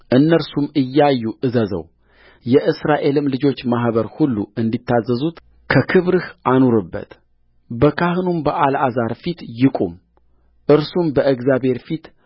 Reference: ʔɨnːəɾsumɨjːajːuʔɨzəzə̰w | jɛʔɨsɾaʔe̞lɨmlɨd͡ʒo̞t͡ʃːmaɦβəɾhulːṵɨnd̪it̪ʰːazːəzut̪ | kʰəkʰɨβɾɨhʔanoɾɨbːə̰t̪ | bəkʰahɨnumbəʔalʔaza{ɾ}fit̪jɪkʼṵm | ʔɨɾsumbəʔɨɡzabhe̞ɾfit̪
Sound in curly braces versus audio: correct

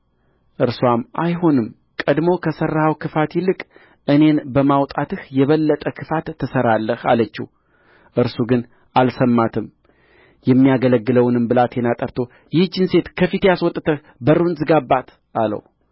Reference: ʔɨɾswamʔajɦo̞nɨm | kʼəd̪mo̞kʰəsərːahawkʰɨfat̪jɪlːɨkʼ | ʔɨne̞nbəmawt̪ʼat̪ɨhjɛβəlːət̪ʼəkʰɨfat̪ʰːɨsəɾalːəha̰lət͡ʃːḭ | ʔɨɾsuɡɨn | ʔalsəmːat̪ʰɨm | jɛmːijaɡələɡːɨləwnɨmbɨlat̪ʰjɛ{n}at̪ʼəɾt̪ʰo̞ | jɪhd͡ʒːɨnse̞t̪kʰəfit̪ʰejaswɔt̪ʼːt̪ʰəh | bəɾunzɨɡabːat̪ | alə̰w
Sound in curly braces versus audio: correct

